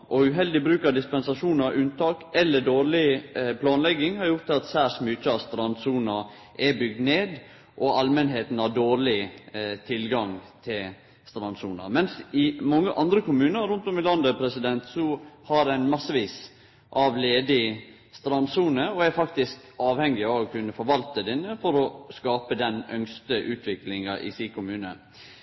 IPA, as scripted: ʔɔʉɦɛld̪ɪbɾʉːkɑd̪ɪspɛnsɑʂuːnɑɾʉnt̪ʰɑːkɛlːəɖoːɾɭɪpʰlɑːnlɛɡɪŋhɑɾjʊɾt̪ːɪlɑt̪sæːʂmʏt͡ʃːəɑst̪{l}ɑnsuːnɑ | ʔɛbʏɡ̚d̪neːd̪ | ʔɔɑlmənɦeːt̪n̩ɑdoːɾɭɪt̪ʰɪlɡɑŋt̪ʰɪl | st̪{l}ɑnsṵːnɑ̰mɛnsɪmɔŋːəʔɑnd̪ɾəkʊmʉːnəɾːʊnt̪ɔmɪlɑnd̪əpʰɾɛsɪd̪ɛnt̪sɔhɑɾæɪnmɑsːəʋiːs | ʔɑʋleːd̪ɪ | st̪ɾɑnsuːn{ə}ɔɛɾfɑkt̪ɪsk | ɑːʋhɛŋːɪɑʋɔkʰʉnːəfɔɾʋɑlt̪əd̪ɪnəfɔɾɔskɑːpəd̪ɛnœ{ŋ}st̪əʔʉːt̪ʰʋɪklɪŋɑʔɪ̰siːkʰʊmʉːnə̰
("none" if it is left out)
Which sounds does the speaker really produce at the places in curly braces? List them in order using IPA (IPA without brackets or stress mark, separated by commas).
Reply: ɾ, ɾ, ə, ŋ